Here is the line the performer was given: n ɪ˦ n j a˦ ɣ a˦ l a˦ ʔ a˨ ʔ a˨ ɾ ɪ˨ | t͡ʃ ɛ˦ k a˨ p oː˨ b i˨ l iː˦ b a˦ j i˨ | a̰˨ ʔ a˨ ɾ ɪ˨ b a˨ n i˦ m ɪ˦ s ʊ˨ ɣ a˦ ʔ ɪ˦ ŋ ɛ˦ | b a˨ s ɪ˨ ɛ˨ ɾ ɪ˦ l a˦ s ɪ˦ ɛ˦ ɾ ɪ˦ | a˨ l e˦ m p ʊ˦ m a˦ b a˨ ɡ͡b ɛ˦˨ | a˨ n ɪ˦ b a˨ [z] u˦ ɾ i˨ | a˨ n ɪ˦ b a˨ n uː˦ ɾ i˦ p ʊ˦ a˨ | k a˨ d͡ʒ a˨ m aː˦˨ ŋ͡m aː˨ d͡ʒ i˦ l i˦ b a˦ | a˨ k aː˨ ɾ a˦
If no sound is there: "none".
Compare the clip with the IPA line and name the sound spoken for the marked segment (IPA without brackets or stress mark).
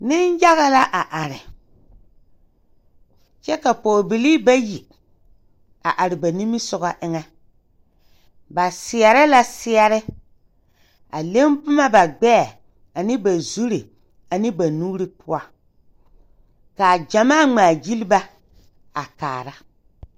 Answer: z